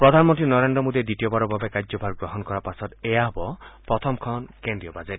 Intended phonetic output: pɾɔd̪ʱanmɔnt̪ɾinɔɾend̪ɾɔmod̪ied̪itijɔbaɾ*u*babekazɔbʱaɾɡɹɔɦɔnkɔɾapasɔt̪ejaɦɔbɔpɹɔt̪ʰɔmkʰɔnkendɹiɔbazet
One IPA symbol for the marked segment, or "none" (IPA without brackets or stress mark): ɔ